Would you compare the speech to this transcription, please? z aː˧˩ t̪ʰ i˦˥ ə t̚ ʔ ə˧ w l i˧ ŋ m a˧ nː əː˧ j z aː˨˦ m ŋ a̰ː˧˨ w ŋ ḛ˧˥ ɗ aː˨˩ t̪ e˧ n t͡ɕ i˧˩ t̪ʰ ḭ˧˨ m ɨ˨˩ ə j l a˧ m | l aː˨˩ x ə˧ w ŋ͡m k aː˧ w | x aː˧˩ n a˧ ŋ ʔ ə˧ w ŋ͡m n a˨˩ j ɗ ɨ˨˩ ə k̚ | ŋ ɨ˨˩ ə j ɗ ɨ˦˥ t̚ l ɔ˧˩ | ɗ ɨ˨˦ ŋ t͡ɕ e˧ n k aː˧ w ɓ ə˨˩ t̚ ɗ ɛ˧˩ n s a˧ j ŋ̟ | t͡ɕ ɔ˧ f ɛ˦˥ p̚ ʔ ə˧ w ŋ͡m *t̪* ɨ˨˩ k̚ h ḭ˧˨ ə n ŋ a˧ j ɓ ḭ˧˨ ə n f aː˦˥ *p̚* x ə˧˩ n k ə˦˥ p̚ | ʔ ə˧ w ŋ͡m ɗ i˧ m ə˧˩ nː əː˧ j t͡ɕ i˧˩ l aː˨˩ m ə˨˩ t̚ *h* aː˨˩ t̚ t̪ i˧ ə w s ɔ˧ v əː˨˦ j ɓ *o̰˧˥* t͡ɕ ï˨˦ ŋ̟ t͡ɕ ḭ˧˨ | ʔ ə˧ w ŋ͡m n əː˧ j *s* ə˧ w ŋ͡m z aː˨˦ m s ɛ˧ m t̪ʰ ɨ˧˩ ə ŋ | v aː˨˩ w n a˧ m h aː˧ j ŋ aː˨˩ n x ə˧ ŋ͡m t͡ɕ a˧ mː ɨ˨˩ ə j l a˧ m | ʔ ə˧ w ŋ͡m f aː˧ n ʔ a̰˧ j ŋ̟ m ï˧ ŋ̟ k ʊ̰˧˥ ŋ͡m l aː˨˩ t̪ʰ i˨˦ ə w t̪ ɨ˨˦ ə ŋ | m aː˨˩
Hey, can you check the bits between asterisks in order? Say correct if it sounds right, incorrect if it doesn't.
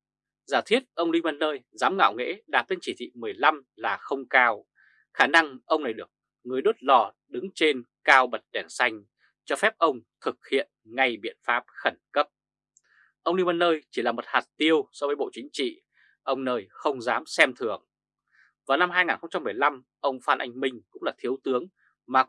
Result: incorrect: t̪ʰ, correct, correct, incorrect: o̰˧˨, incorrect: x

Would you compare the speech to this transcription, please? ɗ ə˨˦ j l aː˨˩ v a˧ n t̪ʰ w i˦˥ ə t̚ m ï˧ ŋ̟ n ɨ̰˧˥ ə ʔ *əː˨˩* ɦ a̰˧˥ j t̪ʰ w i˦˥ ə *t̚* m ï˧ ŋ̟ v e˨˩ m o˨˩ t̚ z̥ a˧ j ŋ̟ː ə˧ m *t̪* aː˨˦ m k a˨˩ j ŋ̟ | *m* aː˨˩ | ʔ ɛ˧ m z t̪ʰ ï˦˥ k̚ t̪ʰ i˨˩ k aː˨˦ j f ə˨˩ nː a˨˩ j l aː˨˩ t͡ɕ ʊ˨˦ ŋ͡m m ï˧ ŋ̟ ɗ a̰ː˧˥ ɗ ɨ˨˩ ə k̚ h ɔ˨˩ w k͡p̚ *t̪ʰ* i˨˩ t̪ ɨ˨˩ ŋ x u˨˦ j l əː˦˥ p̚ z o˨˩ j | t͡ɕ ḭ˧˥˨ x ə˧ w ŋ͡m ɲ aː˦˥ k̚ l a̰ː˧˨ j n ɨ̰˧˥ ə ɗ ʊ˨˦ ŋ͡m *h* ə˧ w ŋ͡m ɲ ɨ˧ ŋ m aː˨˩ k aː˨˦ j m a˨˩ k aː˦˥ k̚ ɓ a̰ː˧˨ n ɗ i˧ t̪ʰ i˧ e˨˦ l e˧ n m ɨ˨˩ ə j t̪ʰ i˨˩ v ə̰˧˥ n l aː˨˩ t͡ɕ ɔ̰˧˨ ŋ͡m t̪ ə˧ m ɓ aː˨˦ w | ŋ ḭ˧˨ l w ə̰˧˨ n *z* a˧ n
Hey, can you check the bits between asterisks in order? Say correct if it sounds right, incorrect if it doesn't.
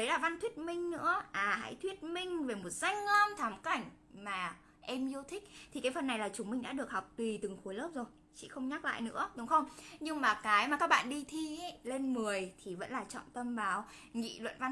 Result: incorrect: aː˨˩, correct, incorrect: t̪ʰ, correct, incorrect: t̪, incorrect: x, incorrect: v

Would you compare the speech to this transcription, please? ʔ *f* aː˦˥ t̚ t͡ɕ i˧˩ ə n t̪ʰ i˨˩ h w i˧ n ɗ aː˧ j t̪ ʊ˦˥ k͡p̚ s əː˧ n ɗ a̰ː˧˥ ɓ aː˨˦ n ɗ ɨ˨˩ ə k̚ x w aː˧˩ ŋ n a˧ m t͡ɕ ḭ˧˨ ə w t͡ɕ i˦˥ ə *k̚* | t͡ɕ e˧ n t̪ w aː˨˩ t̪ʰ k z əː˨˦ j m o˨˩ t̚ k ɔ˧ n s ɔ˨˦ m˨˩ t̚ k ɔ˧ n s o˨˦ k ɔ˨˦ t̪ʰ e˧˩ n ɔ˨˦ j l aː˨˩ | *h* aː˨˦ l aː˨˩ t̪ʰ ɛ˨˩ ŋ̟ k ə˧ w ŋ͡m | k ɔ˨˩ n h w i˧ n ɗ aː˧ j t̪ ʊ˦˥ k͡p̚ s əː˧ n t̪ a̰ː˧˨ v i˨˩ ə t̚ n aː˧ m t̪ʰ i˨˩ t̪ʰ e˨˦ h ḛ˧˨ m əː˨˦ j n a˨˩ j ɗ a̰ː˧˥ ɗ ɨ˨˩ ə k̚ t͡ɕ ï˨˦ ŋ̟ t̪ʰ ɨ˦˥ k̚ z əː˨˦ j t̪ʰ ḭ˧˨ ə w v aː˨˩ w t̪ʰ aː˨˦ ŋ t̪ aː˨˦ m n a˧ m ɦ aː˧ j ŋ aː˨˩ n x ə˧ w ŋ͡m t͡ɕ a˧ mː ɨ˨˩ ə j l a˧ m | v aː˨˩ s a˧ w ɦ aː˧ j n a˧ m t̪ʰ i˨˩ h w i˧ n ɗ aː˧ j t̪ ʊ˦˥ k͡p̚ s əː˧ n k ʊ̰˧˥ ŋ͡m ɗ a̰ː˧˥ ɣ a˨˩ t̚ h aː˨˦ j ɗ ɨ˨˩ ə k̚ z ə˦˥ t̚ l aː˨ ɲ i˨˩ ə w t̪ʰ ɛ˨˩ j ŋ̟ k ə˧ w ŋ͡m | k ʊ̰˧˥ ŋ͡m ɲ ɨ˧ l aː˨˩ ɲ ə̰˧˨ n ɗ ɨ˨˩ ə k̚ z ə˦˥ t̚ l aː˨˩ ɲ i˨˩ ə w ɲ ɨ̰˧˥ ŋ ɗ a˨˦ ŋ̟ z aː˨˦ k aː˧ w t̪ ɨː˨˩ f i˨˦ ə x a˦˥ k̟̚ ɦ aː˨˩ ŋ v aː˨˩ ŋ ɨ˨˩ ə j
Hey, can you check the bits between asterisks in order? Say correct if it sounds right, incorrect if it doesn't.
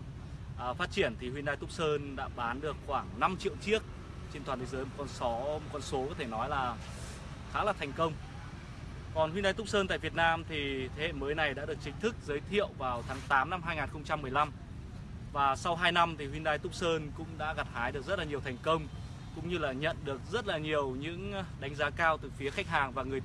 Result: correct, correct, incorrect: x

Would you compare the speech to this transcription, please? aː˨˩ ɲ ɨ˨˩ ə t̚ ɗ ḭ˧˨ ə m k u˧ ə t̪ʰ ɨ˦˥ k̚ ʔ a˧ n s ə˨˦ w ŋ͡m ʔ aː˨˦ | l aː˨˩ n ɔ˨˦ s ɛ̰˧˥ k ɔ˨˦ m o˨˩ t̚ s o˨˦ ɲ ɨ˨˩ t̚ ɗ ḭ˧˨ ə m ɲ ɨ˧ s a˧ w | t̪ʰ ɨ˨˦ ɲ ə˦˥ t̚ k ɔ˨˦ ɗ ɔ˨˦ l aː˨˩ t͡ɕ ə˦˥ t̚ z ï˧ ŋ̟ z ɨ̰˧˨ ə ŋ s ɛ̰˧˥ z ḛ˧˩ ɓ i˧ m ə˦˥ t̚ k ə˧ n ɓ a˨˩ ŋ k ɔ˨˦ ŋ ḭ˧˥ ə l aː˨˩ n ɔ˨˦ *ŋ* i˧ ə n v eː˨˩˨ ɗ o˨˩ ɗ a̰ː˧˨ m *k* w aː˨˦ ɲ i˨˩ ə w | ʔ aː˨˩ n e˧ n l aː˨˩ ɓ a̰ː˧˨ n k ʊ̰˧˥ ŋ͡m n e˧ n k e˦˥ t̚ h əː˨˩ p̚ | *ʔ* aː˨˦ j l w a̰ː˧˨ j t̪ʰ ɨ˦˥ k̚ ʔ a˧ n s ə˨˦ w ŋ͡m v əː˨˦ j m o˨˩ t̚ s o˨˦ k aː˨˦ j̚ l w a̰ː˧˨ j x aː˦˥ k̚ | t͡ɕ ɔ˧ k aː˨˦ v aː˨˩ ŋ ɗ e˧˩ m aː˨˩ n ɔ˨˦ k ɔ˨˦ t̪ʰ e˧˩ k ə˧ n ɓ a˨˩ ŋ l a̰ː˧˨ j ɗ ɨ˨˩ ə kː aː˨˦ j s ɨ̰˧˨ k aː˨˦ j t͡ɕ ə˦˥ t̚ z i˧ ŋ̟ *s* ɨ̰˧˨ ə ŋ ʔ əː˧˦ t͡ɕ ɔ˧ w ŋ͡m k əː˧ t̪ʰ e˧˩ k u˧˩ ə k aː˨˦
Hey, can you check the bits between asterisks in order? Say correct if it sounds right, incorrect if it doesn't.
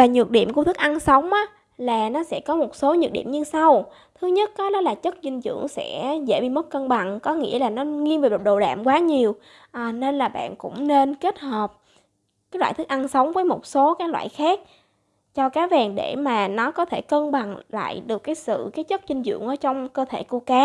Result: correct, correct, incorrect: k, incorrect: z

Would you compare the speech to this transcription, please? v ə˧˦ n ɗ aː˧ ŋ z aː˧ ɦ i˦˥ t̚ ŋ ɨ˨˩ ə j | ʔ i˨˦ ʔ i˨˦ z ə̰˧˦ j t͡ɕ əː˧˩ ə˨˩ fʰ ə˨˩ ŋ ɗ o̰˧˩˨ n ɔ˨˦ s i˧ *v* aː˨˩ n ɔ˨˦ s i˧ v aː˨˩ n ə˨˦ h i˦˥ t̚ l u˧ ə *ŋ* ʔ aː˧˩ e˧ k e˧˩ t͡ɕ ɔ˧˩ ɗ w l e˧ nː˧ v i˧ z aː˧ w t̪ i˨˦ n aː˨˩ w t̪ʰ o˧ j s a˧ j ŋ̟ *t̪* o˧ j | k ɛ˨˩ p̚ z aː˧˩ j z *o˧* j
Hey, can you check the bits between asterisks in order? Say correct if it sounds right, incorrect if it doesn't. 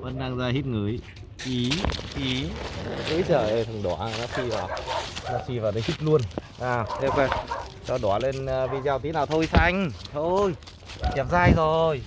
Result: correct, incorrect: n, incorrect: t̪ʰ, incorrect: o˨˩

